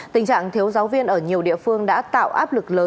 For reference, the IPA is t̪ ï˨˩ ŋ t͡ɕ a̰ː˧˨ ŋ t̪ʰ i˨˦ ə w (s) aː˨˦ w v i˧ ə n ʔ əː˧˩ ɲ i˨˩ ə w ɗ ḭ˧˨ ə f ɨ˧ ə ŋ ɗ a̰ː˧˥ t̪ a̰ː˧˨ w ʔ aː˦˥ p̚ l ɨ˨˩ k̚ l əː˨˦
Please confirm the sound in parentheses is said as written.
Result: no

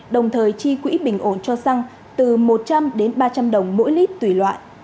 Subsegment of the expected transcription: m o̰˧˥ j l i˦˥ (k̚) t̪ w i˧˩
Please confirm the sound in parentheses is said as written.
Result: no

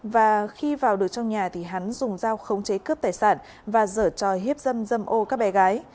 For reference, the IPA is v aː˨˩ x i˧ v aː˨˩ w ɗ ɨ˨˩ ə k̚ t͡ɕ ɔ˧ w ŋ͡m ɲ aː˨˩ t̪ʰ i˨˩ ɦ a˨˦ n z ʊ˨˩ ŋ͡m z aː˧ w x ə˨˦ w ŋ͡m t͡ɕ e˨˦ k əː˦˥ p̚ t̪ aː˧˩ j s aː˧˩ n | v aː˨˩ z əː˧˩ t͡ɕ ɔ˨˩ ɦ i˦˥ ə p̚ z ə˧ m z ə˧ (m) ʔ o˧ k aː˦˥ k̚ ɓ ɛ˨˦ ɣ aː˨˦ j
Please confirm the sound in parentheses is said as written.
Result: yes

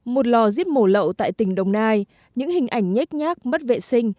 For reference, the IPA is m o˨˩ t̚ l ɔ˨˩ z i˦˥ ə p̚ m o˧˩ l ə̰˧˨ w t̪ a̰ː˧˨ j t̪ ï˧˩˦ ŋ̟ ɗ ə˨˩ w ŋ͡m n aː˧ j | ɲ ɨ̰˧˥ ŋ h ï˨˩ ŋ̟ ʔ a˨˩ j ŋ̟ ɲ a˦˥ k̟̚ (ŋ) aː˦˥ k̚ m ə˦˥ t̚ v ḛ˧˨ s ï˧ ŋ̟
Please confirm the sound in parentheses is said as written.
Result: no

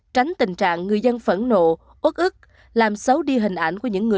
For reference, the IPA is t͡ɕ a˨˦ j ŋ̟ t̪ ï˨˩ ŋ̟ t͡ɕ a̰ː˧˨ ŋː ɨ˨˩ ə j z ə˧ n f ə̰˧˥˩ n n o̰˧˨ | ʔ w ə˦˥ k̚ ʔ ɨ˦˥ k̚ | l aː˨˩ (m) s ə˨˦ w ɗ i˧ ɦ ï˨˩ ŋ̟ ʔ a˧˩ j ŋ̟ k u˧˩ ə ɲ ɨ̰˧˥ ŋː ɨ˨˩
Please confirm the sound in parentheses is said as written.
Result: yes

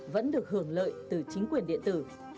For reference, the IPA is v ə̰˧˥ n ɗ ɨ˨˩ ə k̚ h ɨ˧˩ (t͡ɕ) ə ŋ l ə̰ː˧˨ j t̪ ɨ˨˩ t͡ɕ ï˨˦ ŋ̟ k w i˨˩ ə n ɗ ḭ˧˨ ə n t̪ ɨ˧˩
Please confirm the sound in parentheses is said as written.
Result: no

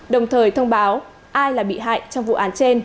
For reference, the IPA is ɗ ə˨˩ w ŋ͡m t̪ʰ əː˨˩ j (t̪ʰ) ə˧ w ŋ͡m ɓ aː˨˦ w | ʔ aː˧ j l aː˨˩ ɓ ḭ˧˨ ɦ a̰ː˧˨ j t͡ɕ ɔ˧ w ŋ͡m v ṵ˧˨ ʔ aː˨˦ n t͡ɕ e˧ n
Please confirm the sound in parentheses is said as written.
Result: yes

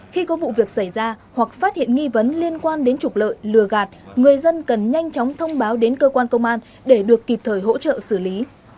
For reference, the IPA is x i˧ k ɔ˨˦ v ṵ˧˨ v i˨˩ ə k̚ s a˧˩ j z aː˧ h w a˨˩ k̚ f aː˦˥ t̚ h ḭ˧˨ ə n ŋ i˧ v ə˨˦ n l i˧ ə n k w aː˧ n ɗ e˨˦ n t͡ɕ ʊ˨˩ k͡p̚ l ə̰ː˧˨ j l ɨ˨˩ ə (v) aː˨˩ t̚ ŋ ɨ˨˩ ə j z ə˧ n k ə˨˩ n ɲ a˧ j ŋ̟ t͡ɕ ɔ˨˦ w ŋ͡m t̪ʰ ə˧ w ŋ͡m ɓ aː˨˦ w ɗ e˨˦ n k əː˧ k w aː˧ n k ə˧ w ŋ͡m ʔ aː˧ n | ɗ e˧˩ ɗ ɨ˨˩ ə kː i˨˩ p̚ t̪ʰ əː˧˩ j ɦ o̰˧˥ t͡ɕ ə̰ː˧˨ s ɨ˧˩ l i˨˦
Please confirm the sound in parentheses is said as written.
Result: no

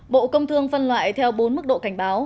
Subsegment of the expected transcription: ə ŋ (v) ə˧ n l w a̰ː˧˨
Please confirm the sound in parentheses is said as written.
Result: no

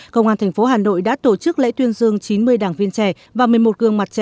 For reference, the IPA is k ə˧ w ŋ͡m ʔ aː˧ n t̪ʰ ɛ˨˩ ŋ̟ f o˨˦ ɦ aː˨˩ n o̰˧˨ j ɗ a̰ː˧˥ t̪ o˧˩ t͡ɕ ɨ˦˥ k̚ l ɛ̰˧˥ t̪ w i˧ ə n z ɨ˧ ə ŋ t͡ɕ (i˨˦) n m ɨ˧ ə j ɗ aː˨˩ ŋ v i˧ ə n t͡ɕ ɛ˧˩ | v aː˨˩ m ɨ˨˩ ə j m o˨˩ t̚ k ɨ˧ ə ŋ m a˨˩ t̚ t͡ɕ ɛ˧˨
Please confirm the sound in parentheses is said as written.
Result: yes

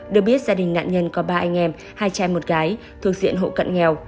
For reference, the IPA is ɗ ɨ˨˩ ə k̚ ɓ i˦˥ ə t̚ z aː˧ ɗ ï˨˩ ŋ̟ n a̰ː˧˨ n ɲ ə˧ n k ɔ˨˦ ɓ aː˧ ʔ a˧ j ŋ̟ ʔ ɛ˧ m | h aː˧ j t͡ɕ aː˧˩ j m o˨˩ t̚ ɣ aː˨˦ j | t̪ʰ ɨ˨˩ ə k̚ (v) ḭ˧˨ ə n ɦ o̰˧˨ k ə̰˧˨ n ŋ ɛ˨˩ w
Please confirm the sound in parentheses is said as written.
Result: no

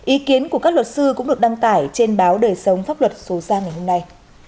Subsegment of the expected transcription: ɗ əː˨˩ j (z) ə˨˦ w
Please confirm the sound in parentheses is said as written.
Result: no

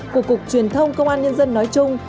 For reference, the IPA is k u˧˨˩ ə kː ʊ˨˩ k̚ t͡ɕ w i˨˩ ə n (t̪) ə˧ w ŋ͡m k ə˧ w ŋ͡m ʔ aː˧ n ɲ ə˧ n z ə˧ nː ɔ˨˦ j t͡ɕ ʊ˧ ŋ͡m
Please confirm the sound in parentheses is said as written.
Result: no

